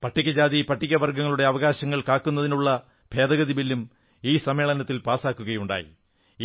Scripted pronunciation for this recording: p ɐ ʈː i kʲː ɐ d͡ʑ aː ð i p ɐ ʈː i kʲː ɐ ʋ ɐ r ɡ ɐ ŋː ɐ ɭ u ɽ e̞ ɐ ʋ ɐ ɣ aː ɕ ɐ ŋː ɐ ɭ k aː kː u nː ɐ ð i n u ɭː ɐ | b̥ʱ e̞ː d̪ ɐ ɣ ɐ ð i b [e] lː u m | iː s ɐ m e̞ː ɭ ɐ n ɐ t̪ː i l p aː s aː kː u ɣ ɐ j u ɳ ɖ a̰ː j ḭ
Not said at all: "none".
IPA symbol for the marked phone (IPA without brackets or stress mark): i